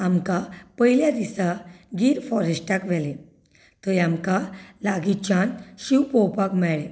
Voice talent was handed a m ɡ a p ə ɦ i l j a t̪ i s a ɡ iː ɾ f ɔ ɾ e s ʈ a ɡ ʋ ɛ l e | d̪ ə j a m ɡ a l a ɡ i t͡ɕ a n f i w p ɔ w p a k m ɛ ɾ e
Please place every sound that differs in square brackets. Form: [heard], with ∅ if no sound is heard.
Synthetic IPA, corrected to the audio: a m [k] a p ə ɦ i l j a [d̪] i s a ɡ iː ɾ f ɔ ɾ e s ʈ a [k] ʋ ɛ l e | [t̪] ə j a m [k] a l a ɡ i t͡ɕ a n [ɕ] i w p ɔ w p a k m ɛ [ɭ] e